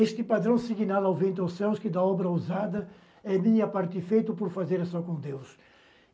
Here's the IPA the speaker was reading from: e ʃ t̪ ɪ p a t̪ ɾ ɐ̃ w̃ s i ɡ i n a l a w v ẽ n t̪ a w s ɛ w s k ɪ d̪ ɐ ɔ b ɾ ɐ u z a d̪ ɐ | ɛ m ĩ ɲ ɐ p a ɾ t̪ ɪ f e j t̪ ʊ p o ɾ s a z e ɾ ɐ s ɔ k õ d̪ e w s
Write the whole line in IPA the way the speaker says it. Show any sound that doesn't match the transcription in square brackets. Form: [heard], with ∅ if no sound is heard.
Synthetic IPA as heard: e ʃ t̪ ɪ p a [d̪] ɾ ɐ̃ w̃ s i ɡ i n a l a w v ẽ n t̪ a w s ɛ w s k ɪ d̪ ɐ ɔ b ɾ ɐ u z a d̪ ɐ | ɛ m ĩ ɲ ɐ p a ɾ t̪ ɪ f e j t̪ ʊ p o ɾ [f] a z e ɾ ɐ s ɔ k õ d̪ e w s